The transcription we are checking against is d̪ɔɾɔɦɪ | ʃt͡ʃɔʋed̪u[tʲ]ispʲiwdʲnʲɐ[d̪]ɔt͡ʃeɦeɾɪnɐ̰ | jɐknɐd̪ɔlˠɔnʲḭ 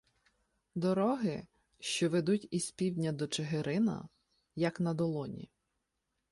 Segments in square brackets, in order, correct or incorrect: correct, correct

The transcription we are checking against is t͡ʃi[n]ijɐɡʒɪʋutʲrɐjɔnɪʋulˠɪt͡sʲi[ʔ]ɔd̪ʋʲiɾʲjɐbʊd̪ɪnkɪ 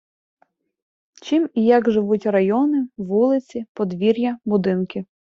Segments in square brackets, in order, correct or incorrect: incorrect: m, incorrect: p

